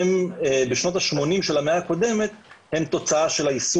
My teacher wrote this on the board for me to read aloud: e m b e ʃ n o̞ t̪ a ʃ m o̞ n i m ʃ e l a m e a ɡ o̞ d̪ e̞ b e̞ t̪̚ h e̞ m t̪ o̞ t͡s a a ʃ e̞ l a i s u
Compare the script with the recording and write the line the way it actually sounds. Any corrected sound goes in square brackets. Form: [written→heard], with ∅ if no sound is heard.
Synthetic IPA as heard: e m b e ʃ n o̞ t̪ a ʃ m o̞ n i m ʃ e l a m e a [ɡ→k] o̞ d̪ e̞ [b→m] e̞ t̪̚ h e̞ m t̪ o̞ t͡s a a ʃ e̞ l a i s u

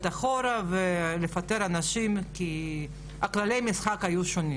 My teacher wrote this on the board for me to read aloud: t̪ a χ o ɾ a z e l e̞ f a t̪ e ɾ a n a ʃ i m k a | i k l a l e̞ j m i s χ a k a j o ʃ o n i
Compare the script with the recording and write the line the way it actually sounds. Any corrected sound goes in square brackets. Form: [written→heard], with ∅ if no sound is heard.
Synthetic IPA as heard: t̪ a χ o ɾ a [z→v] e l e̞ f a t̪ e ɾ a n a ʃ i m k [a→i] | [i→a] k l a l e̞ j m i s χ a k a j [o→u] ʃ o n i

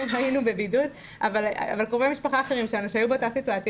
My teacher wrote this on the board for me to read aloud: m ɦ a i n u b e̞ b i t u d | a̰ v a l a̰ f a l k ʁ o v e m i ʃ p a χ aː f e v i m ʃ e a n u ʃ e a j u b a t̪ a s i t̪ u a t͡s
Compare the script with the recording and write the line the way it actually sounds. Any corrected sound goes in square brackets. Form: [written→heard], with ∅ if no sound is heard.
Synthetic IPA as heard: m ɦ a i n u b e̞ b i [t→d] u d | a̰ v a l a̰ [f→v] a l k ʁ o v e m i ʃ p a χ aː [f→χ] e [v→ʁ] i m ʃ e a n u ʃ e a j u b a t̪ a s i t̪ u a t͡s

